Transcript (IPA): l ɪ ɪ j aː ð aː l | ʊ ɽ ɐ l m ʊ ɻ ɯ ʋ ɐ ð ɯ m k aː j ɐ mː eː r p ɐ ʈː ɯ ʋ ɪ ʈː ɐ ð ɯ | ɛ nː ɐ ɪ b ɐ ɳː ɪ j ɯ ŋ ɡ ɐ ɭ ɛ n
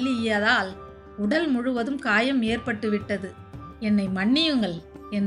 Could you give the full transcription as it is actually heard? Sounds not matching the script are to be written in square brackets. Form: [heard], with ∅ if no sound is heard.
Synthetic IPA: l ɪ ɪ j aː ð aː l | ʊ ɽ ɐ l m ʊ ɻ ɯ ʋ ɐ ð ɯ m k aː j ɐ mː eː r p ɐ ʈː ɯ ʋ ɪ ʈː ɐ ð ɯ | ɛ nː ɐ ɪ [m] ɐ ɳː ɪ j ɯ ŋ ɡ ɐ ɭ ɛ n